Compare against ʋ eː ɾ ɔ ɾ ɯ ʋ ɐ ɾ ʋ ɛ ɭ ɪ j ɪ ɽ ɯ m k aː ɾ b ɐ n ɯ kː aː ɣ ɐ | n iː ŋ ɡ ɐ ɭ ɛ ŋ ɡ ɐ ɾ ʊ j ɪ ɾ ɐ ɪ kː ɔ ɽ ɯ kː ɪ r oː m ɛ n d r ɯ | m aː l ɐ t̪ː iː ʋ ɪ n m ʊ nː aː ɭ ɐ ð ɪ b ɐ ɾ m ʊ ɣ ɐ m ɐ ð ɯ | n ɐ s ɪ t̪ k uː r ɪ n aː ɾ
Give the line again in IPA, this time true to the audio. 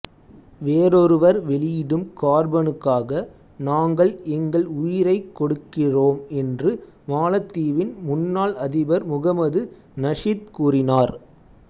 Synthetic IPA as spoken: ʋ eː ɾ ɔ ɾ ɯ ʋ ɐ ɾ ʋ ɛ ɭ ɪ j ɪ ɽ ɯ m k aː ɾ b ɐ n ɯ kː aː ɣ ɐ | n aː ŋ ɡ ɐ ɭ ɛ ŋ ɡ ɐ ɭ ʊ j ɪ ɾ ɐ ɪ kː ɔ ɽ ɯ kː ɪ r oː m ɛ n d r ɯ | m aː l ɐ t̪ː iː ʋ ɪ n m ʊ nː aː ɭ ɐ ð ɪ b ɐ ɾ m ʊ ɣ ɐ m ɐ ð ɯ | n ɐ ʂ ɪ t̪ k uː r ɪ n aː ɾ